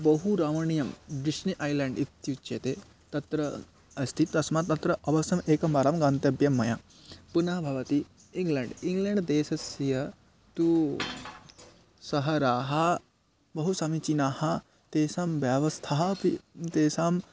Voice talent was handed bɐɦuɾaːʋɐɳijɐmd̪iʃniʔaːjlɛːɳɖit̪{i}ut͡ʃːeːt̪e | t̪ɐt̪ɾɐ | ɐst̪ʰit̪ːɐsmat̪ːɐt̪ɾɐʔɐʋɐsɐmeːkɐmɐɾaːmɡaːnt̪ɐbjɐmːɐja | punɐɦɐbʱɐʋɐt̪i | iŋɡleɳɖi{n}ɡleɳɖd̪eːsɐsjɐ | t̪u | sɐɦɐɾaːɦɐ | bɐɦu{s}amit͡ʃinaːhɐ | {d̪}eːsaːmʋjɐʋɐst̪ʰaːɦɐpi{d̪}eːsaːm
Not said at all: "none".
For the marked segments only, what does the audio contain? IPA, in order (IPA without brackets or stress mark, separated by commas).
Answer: j, ŋ, s, t̪, t̪